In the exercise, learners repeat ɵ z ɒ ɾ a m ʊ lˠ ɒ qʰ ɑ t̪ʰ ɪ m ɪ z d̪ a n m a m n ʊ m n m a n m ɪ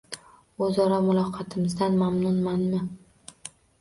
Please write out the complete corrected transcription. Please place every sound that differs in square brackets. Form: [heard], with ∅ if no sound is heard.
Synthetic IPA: ɵ z ɒ ɾ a m ʊ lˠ ɒ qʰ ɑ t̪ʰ ɪ m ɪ z d̪ a n m a m n ʊ [∅] n m a n m ɪ